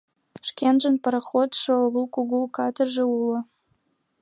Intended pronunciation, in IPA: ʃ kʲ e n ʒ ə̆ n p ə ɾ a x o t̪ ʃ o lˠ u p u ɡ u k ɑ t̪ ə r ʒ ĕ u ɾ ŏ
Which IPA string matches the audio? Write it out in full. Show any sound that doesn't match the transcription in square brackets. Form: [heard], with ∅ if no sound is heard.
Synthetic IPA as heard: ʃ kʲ e n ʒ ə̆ n p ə ɾ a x o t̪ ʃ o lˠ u [k] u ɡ u k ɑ t̪ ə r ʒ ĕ u [l] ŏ